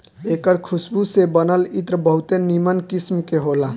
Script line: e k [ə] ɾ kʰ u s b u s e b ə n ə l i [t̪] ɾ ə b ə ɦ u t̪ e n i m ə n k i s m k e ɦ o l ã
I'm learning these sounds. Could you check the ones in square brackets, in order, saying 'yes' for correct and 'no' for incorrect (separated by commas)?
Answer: yes, yes